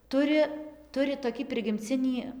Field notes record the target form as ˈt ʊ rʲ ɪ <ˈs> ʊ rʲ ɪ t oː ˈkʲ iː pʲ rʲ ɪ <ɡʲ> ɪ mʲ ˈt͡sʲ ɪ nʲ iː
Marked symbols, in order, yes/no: no, yes

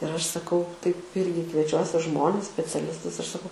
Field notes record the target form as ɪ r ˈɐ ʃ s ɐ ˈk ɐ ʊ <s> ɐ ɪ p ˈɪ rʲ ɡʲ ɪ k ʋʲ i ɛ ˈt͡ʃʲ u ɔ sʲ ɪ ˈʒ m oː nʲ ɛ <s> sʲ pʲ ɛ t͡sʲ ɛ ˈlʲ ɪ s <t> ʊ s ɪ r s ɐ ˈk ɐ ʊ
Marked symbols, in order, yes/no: no, yes, yes

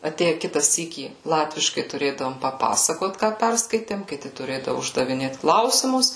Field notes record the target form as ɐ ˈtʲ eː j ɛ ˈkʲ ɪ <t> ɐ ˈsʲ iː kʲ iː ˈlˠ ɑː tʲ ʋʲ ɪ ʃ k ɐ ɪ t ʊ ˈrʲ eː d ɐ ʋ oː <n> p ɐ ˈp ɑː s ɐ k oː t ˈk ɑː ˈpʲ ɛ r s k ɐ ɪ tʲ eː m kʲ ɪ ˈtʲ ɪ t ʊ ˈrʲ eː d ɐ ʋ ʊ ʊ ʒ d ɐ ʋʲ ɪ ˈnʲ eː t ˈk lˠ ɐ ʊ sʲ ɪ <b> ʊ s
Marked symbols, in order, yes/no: yes, no, no

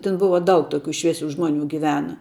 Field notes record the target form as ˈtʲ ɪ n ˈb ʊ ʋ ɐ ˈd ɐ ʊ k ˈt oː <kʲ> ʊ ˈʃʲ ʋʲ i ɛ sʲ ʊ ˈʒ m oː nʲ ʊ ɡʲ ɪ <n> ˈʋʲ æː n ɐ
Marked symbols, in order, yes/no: yes, no

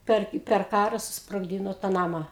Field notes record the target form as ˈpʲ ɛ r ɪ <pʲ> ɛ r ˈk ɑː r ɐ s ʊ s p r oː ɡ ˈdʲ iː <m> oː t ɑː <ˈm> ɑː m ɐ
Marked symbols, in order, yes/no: yes, no, no

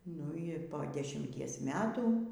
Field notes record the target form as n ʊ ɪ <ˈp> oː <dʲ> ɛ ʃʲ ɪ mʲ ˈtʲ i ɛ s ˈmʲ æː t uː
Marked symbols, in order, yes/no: yes, yes

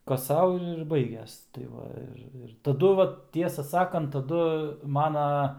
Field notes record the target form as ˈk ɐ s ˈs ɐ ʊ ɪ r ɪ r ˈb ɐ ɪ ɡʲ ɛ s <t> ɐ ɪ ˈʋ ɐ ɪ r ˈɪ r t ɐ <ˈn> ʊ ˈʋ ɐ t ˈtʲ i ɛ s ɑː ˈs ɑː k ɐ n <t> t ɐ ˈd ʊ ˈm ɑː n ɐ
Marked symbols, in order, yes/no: yes, no, yes

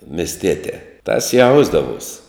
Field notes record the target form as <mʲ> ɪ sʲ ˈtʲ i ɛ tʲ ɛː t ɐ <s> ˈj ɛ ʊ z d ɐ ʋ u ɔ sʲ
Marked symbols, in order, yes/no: yes, yes

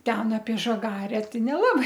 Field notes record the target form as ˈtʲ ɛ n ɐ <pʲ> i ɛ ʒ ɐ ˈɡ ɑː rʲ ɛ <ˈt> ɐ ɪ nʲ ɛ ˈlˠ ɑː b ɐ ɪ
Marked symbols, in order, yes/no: yes, yes

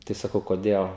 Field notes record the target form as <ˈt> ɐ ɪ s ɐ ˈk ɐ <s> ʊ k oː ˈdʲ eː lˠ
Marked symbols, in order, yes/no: yes, no

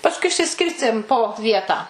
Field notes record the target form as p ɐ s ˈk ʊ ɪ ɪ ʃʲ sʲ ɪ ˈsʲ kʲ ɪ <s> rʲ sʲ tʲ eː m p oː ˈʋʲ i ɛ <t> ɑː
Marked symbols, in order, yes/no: no, yes

